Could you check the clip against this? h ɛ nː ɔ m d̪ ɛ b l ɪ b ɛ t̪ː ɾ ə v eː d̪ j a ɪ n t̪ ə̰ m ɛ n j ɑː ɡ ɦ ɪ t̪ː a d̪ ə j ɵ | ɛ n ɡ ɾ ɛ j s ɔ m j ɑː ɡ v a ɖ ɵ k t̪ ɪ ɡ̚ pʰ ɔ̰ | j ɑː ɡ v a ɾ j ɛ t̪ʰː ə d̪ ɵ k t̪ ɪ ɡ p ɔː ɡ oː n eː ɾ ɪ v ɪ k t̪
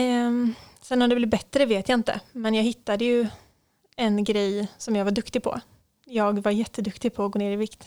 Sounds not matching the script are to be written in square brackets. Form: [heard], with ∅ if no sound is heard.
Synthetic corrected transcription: [s] ɛ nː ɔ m d̪ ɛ b l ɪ b ɛ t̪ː ɾ ə v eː [t̪] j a ɪ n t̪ ə̰ m ɛ n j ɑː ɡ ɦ ɪ t̪ː a d̪ ə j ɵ | ɛ n ɡ ɾ ɛ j s ɔ m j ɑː ɡ v a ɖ ɵ k t̪ ɪ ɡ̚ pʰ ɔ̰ | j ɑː ɡ v a ɾ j ɛ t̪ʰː ə d̪ ɵ k t̪ ɪ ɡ [pʰ] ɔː ɡ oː n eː ɾ ɪ v ɪ k t̪